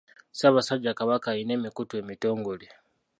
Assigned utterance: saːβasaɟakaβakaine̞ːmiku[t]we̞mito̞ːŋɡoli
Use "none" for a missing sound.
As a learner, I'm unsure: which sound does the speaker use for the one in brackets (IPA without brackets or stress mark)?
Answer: t